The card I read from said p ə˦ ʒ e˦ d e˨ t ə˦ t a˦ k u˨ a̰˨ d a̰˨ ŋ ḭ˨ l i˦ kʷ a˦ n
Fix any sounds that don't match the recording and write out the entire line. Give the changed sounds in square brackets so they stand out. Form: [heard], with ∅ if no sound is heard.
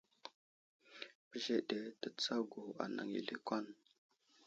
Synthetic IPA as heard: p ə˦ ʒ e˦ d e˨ t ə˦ [t͡s] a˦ [ɡ] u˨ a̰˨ [n] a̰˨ ŋ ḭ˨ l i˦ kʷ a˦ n